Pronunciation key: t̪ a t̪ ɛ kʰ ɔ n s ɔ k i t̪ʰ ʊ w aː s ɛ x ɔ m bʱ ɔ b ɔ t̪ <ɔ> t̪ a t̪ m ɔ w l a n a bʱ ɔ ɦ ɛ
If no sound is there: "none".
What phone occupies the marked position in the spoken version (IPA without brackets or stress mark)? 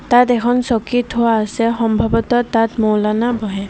ɔ